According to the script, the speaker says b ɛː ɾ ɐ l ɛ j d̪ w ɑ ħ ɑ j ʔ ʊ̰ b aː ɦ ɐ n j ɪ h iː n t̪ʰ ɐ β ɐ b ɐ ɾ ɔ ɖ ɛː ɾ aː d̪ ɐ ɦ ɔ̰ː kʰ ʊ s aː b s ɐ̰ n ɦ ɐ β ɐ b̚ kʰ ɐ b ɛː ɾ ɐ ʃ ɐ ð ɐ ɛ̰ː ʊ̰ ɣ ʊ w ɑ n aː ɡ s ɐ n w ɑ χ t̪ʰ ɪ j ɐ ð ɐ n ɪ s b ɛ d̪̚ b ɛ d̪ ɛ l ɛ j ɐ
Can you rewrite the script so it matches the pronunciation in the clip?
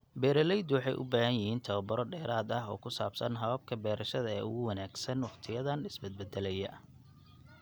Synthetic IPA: b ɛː ɾ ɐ l ɛ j d̪ w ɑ ħ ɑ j ʔ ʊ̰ b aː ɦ ɐ n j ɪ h iː n t̪ʰ ɐ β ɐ b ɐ ɾ ɔ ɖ ɛː ɾ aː d̪ ɐ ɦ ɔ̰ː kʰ ʊ s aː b s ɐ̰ n ɦ ɐ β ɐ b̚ kʰ ɐ b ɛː ɾ ɐ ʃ ɐ ð ɐ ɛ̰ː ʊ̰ ɣ ʊ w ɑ n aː ɡ s ɐ n w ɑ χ t̪ʰ ɪ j ɐ ð ɐ n ɪ s b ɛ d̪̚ b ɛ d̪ ɛ l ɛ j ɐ